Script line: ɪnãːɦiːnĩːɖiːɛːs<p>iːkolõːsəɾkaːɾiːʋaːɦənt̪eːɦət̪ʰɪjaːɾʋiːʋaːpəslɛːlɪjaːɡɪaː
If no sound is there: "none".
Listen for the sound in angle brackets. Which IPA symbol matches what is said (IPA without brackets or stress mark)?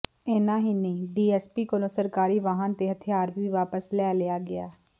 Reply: p